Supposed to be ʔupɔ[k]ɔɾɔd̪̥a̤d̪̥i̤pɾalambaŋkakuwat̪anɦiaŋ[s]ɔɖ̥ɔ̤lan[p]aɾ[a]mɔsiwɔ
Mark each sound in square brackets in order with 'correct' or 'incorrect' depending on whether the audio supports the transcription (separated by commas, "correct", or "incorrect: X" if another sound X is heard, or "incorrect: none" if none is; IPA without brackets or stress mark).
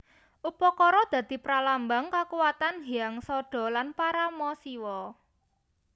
correct, correct, correct, correct